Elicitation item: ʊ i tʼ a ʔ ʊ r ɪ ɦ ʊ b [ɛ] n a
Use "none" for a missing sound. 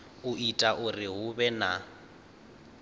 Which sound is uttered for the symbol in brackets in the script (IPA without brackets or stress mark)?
ɛ